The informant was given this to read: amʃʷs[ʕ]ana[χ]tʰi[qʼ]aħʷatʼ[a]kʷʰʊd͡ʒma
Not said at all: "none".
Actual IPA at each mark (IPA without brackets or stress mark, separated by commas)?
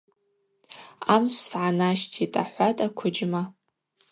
ʕ, ʃ, tʼ, a